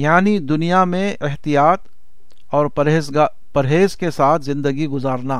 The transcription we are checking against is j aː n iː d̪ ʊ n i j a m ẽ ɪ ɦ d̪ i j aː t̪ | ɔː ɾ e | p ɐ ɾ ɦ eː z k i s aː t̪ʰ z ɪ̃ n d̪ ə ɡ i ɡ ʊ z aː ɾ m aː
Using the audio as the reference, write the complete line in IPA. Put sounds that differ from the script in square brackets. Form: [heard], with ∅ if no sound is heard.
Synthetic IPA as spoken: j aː n [i] d̪ ʊ n i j a m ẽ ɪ ɦ [t̪] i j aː t̪ | ɔː ɾ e | p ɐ ɾ ɦ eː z k [e] s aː t̪ʰ z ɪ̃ n d̪ ə ɡ i ɡ ʊ z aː ɾ [n] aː